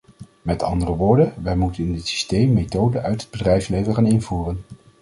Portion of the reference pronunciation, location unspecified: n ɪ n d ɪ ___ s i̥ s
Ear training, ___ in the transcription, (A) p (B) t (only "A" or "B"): B